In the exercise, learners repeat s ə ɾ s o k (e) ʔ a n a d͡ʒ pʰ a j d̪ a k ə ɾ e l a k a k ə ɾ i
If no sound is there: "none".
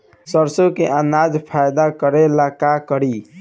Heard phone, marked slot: e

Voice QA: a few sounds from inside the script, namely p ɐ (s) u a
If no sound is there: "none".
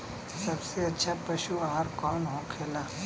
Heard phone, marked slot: ʃ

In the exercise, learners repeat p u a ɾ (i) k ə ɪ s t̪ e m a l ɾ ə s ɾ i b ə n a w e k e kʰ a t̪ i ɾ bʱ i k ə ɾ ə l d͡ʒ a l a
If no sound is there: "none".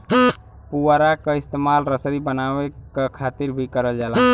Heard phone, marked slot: a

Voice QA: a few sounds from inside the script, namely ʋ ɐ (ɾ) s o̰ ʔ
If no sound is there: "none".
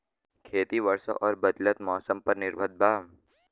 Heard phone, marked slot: ɾ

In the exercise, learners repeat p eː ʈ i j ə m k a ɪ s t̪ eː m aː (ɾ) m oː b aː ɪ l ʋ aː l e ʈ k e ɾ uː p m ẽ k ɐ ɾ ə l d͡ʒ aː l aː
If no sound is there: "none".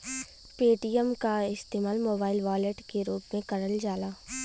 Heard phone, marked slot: l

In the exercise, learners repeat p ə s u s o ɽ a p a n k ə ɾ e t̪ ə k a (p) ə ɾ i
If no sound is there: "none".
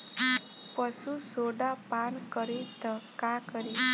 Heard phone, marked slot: k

